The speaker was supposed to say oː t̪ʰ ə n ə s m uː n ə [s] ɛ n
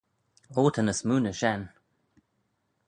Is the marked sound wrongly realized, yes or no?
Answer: yes